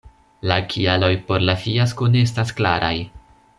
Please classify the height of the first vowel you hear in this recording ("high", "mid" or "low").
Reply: low